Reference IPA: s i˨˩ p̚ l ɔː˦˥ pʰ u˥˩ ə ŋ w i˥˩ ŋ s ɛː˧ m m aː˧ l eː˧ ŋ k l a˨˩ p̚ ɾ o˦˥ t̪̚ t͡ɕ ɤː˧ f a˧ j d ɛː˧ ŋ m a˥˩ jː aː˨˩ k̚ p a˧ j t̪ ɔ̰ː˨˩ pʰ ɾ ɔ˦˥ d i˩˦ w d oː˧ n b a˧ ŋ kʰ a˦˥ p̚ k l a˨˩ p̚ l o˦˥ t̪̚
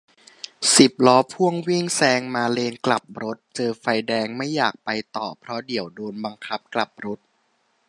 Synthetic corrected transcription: s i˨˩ p̚ l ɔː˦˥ pʰ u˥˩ ə ŋ w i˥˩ ŋ s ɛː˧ ŋ m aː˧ l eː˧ n k l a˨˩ p̚ ɾ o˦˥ t̪̚ t͡ɕ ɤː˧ f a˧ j d ɛː˧ ŋ m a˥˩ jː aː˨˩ k̚ p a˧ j t̪ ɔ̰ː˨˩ pʰ ɾ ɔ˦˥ d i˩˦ w d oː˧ n b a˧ ŋ kʰ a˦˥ p̚ k l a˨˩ p̚ ɾ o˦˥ t̪̚

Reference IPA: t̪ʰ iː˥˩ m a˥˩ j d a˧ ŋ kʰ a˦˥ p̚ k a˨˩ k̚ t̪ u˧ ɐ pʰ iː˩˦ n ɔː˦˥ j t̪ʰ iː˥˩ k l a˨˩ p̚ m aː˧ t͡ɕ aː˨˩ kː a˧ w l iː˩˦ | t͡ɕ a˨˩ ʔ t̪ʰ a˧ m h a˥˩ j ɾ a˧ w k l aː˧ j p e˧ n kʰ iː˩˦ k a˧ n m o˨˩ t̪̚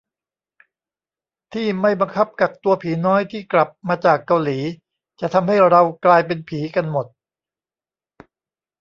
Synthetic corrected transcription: t̪ʰ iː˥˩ m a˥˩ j b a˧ ŋ kʰ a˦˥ p̚ k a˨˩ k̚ t̪ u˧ ɐ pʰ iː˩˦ n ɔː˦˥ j t̪ʰ iː˥˩ k l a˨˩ p̚ m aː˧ t͡ɕ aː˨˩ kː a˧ w l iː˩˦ | t͡ɕ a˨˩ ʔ t̪ʰ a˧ m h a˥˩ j ɾ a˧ w k l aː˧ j p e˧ n pʰ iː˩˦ k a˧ n m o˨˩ t̪̚

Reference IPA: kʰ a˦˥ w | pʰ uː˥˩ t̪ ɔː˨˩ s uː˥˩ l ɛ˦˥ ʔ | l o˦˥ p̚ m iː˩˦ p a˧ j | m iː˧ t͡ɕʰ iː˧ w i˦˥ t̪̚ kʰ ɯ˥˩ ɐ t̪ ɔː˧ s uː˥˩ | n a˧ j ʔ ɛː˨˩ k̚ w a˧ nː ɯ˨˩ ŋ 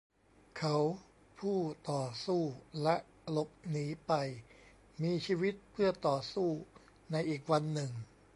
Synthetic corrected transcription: kʰ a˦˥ w | pʰ uː˥˩ t̪ ɔː˨˩ s uː˥˩ l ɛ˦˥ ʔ | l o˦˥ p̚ n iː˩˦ p a˧ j | m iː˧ t͡ɕʰ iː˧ w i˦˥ t̪̚ pʰ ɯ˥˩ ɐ t̪ ɔː˨˩ s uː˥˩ | n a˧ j ʔ iː˨˩ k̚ w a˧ nː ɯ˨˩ ŋ

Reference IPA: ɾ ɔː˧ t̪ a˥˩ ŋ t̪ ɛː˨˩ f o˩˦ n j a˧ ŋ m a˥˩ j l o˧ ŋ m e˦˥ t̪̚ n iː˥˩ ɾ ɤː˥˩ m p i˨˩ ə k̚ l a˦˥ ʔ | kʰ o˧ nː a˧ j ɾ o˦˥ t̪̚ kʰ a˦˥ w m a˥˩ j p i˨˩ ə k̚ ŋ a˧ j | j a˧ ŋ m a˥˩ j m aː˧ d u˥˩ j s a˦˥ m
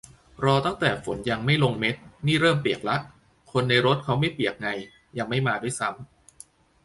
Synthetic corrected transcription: ɾ ɔː˧ t̪ a˥˩ ŋ t̪ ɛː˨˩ f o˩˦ n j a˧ ŋ m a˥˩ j l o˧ ŋ m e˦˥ t̪̚ n iː˥˩ ɾ ɤː˥˩ m p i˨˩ ə k̚ l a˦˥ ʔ | kʰ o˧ nː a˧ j ɾ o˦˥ t̪̚ kʰ a˦˥ w m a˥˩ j p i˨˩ ə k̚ ŋ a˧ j | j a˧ ŋ m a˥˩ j m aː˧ d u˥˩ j s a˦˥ m

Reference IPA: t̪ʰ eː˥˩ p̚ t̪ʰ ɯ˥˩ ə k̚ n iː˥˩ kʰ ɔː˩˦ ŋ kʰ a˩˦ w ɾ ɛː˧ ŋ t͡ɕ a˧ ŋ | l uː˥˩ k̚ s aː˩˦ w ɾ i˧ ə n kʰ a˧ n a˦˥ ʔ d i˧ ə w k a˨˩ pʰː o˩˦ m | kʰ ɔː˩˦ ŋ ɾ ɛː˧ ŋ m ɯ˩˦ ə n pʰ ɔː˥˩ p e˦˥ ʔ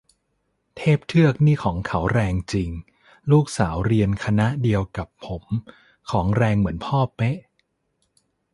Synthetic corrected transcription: t̪ʰ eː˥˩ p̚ t̪ʰ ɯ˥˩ ə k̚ n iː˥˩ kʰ ɔː˩˦ ŋ kʰ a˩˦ w ɾ ɛː˧ ŋ t͡ɕ i˧ ŋ | l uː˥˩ k̚ s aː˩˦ w ɾ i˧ ə n kʰ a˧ n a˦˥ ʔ d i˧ ə w k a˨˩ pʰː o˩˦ m | kʰ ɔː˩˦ ŋ ɾ ɛː˧ ŋ m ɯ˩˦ ə n pʰ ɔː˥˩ p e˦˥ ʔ

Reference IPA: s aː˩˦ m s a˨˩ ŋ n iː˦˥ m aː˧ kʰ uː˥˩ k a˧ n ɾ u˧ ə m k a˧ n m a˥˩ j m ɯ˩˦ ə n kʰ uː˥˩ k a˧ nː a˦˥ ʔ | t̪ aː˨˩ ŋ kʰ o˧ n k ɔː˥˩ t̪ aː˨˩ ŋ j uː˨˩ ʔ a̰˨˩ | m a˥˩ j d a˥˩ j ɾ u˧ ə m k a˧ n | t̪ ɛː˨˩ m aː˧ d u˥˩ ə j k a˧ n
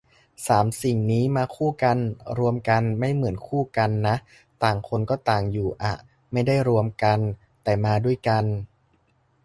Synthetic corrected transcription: s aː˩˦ m s i˨˩ ŋ n iː˦˥ m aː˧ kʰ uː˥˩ k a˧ n ɾ u˧ ə m k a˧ n m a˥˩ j m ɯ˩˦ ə n kʰ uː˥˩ k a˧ nː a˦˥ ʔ | t̪ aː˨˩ ŋ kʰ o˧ n k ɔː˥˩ t̪ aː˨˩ ŋ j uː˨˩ ʔ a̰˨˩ | m a˥˩ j d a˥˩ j ɾ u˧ ə m k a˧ n | t̪ ɛː˨˩ m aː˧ d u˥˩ ə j k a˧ n

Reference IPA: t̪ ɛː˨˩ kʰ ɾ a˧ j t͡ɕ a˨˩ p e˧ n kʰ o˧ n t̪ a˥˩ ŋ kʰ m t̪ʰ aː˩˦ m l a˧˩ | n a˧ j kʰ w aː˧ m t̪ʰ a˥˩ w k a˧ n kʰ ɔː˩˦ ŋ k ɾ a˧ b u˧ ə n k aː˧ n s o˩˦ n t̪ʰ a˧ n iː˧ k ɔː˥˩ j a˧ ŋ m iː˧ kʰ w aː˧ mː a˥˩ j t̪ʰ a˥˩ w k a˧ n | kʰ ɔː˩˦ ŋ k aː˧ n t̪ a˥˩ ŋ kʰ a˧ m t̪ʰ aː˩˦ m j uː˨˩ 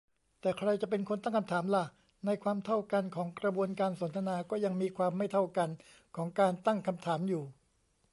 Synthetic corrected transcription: t̪ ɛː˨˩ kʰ ɾ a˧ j t͡ɕ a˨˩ p e˧ n kʰ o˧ n t̪ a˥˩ ŋ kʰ m t̪ʰ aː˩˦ m l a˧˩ | n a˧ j kʰ w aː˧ m t̪ʰ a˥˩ w k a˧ n kʰ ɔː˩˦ ŋ k ɾ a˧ b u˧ ə n k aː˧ n s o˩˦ n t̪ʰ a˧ n aː˧ k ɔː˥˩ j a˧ ŋ m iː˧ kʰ w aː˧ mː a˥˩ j t̪ʰ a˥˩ w k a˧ n | kʰ ɔː˩˦ ŋ k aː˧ n t̪ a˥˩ ŋ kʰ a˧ m t̪ʰ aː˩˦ m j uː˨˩

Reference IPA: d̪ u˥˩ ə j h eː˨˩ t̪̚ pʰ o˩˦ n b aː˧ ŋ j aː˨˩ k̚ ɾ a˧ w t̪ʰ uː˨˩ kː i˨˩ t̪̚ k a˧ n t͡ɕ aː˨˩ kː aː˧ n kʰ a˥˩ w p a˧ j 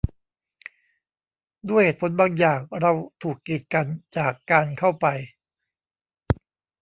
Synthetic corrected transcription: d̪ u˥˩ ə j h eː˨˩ t̪̚ pʰ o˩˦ n b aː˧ ŋ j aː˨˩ k̚ ɾ a˧ w t̪ʰ uː˨˩ kː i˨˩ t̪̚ k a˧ n t͡ɕ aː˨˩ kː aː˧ n kʰ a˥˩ w p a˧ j

